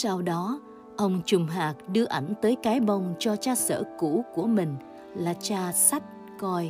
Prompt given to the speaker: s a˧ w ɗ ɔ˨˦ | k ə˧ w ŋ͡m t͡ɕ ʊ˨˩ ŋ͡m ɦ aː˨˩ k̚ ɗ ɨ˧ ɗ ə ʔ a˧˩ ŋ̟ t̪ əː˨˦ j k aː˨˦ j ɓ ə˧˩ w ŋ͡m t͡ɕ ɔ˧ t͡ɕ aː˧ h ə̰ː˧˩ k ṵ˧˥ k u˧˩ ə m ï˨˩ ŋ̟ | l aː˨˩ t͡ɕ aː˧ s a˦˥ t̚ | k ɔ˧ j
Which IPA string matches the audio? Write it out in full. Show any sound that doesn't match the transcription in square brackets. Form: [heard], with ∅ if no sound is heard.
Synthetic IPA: s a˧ w ɗ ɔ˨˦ | [ʔ] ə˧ w ŋ͡m t͡ɕ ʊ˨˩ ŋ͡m ɦ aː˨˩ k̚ ɗ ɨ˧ [∅] ə ʔ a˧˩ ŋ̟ t̪ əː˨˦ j k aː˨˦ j ɓ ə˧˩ w ŋ͡m t͡ɕ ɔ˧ t͡ɕ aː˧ [s] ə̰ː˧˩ k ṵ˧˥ k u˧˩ ə m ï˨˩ ŋ̟ | l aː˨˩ t͡ɕ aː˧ s a˦˥ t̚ | k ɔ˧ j